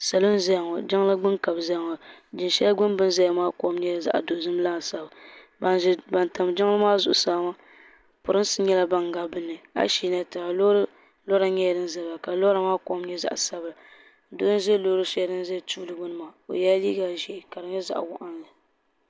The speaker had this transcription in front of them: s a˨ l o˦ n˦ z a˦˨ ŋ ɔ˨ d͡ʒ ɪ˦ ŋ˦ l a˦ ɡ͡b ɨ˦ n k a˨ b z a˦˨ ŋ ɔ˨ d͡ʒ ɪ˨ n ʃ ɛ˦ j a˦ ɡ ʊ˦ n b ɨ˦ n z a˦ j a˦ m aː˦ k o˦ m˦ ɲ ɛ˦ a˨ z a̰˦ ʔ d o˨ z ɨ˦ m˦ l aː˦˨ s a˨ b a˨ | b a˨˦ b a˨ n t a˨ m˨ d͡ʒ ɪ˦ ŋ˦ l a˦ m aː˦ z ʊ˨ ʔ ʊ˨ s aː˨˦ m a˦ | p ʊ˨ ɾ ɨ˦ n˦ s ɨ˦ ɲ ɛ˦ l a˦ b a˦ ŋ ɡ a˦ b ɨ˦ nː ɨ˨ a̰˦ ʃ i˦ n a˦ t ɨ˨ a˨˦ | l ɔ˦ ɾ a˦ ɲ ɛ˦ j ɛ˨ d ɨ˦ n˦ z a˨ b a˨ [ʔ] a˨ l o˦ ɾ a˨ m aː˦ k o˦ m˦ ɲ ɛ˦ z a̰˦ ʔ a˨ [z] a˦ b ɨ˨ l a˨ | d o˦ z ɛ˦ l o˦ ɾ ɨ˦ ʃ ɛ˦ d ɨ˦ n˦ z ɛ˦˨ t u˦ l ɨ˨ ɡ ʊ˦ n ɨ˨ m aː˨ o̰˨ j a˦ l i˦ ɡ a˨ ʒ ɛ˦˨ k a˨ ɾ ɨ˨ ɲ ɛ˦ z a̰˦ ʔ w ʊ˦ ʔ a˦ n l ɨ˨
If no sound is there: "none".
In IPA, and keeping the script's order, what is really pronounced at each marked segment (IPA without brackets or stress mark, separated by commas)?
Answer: k, s